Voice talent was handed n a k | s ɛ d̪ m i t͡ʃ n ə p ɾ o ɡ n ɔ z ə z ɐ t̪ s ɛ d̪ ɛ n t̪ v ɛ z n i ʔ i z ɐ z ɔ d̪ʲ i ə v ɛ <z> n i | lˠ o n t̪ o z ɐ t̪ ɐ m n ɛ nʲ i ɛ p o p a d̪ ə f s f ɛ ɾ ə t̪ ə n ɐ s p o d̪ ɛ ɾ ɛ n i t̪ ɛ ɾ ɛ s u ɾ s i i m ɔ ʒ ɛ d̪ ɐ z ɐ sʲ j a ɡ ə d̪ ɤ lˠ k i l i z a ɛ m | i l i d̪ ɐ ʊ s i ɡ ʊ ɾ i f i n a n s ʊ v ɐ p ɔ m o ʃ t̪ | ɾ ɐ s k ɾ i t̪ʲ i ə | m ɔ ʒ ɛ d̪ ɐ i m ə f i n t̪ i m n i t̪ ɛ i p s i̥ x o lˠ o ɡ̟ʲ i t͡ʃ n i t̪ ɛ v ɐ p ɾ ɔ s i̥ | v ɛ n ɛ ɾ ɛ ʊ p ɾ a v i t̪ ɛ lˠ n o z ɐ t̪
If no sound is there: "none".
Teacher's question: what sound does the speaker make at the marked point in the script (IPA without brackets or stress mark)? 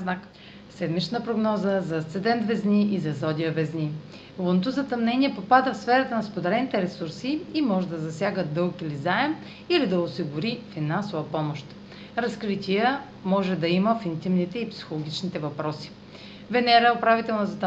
z